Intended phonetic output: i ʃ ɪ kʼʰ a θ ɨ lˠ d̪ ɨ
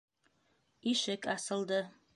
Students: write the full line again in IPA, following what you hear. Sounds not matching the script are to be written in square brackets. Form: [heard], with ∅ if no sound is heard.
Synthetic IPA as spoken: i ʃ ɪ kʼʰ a [s] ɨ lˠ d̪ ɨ